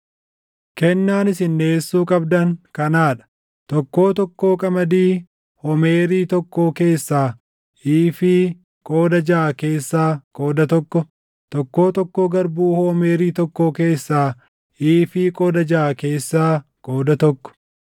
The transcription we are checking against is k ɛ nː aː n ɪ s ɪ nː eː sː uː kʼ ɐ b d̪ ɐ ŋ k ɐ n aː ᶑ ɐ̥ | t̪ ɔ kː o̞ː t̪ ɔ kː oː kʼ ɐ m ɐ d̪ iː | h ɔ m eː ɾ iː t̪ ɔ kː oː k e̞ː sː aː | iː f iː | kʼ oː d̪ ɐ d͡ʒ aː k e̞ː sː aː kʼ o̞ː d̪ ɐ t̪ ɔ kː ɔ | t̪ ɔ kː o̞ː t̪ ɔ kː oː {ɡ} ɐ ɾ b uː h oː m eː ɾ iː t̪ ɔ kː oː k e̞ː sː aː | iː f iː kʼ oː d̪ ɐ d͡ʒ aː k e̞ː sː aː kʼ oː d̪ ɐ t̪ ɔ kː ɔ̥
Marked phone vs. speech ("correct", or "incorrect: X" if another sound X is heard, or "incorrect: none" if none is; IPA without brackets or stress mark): correct